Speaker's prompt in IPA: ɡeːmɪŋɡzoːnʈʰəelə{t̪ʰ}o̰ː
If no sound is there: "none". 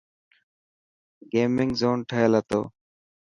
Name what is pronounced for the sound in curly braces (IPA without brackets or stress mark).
t̪